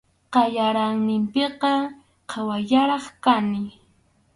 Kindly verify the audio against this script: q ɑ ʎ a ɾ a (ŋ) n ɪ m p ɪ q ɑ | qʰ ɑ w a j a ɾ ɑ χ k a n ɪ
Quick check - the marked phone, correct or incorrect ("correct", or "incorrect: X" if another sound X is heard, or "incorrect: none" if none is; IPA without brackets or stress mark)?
correct